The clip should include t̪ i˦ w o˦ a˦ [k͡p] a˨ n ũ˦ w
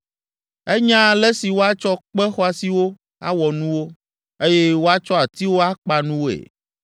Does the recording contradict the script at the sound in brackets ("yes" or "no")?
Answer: no